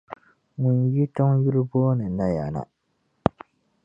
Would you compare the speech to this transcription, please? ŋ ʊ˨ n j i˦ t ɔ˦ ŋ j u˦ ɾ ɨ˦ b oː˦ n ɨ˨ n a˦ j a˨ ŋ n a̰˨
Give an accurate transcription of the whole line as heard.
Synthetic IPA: ŋ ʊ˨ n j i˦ t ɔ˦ ŋ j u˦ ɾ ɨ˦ b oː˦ n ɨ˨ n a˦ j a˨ n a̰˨